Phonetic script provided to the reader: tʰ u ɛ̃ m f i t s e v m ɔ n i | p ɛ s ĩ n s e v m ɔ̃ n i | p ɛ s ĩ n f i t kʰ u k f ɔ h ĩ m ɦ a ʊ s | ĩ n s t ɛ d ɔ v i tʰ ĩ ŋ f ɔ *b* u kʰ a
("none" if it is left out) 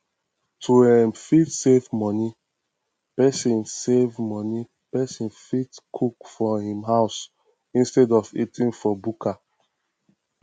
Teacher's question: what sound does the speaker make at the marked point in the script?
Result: b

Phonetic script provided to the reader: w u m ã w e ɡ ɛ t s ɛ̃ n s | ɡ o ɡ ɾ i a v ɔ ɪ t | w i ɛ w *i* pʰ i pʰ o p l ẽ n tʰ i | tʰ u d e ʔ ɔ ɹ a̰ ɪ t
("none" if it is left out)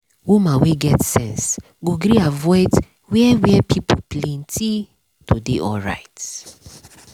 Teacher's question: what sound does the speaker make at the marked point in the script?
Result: ɛ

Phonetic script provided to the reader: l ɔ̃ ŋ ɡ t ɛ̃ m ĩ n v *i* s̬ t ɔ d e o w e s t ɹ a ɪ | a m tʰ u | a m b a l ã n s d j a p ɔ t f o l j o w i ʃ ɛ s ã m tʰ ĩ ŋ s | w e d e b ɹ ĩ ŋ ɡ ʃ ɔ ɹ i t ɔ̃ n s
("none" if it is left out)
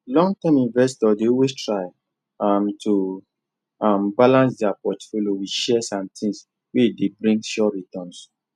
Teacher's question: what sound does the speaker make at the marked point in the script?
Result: ɛ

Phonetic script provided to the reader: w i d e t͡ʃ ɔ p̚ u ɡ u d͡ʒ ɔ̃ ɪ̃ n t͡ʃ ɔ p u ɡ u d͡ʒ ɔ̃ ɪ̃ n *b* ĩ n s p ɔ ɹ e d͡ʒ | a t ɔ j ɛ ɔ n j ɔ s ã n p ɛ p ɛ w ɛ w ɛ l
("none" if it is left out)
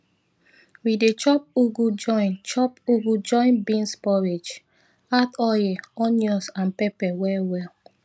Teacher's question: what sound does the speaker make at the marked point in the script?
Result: b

